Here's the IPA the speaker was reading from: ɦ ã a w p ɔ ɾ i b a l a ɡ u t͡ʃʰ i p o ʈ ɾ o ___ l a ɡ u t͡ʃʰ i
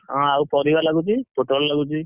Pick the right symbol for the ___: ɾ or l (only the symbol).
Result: l